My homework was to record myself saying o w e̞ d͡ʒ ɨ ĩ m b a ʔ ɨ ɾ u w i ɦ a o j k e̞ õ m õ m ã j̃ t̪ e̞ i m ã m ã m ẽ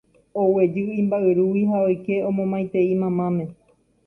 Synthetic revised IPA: o w e̞ d͡ʒ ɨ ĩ m b a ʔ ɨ ɾ u w i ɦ a o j k e̞ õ m õ m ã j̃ t̪ e̞ i m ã m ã m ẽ